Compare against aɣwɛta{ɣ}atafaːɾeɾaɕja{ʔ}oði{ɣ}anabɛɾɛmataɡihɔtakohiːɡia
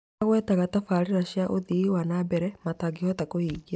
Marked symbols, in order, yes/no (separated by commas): yes, yes, no